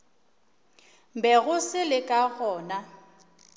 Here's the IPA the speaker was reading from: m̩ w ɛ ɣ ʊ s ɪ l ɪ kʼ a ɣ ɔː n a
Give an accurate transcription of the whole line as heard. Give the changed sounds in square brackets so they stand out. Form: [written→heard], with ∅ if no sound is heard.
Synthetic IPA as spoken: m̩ [w→b] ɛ ɣ ʊ s ɪ l ɪ kʼ a ɣ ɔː n a